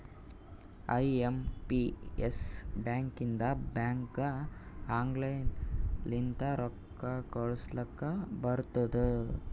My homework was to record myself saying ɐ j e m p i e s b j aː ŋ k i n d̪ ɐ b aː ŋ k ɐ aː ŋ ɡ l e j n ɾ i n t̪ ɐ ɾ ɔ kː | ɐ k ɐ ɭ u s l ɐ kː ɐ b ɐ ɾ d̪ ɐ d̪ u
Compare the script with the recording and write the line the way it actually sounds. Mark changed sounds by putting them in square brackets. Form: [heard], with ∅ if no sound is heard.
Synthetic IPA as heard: ɐ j e m p i e s b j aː ŋ k i n d̪ ɐ b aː ŋ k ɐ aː ŋ ɡ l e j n [l] i n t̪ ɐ ɾ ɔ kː | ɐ k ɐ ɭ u s l ɐ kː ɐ b ɐ ɾ [t̪] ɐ d̪ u